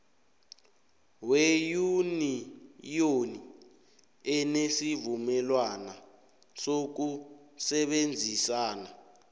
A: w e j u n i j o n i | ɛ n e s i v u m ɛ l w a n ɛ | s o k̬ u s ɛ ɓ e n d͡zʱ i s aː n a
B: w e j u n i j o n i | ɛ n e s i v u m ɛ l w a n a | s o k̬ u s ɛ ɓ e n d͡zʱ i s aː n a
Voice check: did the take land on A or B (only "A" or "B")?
B